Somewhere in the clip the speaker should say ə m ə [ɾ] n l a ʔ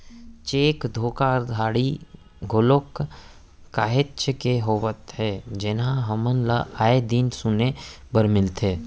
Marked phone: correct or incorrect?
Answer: incorrect: none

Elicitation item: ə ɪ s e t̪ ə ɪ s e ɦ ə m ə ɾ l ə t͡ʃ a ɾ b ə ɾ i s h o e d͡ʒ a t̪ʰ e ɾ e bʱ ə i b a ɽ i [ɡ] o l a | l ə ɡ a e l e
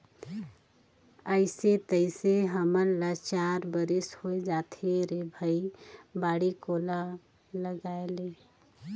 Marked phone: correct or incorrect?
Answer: incorrect: k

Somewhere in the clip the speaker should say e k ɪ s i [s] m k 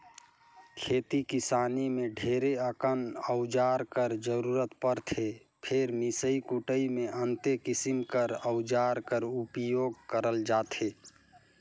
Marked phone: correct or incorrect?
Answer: incorrect: none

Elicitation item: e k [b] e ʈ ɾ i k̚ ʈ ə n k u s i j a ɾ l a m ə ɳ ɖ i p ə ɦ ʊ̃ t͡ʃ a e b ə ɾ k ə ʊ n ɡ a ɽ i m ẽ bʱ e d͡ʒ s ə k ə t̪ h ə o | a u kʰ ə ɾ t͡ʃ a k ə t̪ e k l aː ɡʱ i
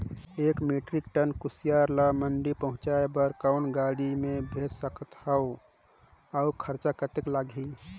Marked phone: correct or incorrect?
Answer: incorrect: m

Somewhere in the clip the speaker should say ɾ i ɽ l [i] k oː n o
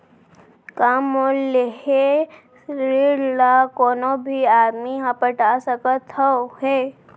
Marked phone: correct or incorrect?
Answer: incorrect: a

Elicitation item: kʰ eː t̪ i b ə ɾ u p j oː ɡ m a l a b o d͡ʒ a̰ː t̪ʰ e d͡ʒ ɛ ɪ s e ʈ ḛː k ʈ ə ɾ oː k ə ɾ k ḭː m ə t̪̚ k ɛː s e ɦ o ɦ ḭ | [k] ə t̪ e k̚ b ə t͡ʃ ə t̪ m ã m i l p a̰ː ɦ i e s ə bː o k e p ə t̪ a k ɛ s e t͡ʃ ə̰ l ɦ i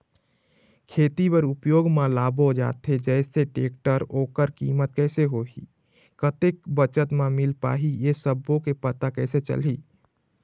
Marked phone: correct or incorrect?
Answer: correct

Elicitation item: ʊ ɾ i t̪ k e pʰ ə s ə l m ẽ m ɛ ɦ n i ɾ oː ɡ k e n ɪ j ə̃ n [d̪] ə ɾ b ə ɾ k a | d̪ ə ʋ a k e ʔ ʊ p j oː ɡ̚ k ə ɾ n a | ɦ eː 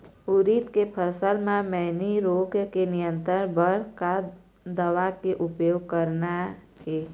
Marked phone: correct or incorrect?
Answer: incorrect: t̪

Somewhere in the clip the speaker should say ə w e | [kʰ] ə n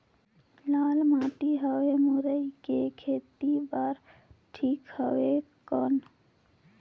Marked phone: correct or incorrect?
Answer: incorrect: k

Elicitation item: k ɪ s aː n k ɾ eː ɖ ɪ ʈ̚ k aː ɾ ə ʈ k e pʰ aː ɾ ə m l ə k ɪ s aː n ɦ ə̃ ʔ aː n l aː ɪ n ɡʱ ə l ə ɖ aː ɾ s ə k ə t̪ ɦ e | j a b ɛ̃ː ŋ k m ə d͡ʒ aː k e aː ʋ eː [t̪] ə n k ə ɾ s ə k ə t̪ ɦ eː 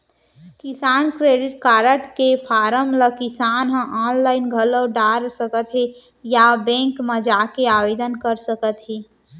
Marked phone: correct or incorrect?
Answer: incorrect: d̪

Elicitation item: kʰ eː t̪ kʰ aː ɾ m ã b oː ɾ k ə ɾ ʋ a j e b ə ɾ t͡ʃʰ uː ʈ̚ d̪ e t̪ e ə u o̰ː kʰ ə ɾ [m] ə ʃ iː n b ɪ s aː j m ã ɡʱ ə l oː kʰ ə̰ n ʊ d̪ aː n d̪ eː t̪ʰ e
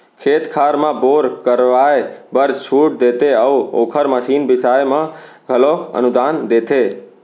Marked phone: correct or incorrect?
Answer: correct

